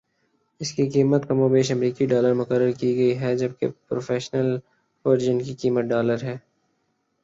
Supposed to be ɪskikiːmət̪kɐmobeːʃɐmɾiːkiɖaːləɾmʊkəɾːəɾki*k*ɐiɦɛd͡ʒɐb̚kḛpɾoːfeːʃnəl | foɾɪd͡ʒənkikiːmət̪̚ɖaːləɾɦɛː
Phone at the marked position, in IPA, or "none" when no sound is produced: ɡ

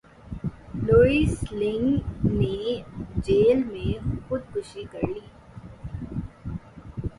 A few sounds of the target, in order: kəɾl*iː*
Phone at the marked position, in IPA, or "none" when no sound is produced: iː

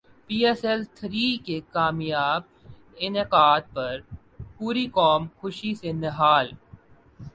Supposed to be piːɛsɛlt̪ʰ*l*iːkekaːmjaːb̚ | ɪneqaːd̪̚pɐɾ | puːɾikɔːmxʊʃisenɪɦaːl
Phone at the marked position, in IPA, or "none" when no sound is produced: ɾ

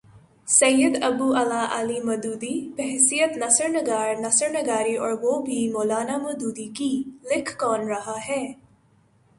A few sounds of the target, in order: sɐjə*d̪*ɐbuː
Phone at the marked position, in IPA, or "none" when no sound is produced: d̪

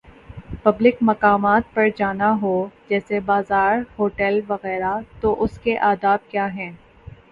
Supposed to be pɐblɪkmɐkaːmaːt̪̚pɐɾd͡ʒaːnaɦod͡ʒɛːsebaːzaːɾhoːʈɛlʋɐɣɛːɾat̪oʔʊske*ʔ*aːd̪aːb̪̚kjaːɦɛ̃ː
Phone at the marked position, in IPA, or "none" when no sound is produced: ʔ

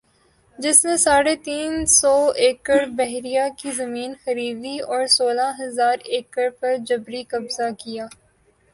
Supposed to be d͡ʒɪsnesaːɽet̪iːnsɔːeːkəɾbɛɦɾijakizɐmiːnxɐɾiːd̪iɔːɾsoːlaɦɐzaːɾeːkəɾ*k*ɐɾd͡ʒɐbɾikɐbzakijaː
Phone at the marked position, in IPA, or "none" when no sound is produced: p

